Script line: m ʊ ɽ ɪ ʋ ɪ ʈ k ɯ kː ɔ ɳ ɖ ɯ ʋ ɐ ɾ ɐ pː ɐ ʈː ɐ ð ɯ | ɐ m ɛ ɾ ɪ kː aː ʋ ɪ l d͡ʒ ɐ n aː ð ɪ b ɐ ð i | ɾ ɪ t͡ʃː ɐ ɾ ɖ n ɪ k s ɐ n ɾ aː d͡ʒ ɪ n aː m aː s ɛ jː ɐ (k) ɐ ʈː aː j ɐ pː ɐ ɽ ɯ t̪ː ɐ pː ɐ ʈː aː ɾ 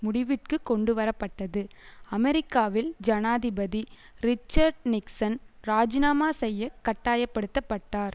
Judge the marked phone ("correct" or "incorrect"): correct